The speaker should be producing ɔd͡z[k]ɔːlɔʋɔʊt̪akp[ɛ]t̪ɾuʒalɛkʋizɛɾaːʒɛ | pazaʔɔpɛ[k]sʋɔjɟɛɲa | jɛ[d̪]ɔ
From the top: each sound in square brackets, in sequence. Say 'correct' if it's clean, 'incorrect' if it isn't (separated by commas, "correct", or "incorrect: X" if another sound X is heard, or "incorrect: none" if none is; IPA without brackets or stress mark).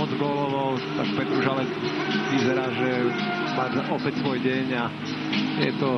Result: incorrect: ɡ, correct, incorrect: c, incorrect: t̪